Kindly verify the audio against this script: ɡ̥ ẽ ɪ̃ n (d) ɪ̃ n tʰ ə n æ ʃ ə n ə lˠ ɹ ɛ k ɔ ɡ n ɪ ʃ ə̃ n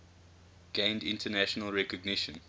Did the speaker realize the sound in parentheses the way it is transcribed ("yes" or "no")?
yes